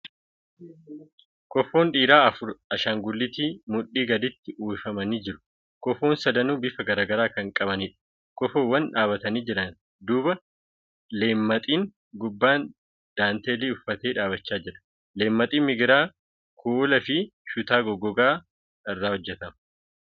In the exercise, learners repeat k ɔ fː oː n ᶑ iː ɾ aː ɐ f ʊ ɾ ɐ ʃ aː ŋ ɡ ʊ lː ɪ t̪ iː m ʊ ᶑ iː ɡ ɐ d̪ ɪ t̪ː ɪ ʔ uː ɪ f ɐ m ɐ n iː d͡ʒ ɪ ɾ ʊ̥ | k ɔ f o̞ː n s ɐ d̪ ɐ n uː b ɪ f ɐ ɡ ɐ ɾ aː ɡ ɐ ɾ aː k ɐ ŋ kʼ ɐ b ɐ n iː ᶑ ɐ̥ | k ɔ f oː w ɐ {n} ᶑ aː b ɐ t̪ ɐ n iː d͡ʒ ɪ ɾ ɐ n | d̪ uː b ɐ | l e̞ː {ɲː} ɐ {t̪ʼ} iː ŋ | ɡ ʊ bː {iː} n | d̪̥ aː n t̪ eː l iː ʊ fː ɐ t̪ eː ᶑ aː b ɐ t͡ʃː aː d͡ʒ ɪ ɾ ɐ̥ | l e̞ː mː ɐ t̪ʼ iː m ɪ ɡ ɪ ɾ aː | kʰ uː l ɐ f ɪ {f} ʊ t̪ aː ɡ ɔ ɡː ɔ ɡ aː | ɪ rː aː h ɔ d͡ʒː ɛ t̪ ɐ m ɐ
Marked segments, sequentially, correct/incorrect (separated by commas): correct, incorrect, correct, incorrect, incorrect